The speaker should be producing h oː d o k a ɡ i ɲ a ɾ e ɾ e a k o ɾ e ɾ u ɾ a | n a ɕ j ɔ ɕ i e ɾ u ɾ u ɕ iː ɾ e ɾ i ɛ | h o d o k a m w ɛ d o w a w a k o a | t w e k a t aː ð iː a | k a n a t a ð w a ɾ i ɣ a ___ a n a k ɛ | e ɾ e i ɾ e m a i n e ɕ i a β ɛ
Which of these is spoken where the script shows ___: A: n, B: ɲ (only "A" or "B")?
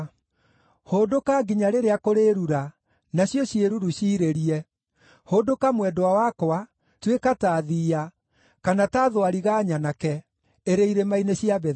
B